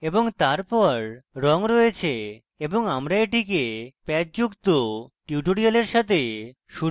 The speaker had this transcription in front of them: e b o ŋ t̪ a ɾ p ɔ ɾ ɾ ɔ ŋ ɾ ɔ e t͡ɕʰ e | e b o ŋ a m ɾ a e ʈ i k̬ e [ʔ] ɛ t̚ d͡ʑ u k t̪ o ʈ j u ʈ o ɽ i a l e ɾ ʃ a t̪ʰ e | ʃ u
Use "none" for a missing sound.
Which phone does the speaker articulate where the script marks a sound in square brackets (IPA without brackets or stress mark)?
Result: p